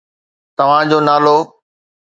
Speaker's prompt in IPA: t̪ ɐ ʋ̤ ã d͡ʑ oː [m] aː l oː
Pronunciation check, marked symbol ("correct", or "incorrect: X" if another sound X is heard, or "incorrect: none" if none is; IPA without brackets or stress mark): incorrect: n